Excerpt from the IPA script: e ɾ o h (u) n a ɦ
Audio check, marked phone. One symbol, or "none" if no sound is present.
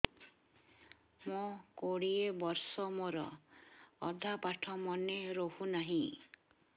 u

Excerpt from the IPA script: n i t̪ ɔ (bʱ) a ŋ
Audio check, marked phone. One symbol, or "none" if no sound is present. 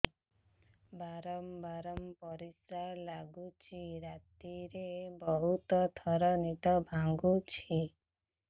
bʱ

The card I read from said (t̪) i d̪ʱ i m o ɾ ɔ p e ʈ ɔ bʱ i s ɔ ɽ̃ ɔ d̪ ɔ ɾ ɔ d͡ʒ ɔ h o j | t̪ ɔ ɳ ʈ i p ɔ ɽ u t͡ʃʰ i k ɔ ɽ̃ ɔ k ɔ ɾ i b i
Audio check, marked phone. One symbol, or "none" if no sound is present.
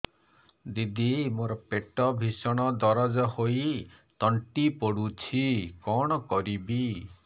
d̪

